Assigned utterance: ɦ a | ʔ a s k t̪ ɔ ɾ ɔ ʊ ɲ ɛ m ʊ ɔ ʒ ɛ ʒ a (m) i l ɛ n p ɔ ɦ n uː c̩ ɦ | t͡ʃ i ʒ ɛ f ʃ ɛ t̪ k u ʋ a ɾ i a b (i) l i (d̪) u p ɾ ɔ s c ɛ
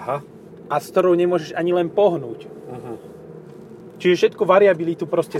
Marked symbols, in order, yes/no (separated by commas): no, yes, no